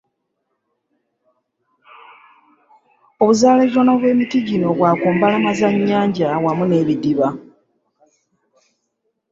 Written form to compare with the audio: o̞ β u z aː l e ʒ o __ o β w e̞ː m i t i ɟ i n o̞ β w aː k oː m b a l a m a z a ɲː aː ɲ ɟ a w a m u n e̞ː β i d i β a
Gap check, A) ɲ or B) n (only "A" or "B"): B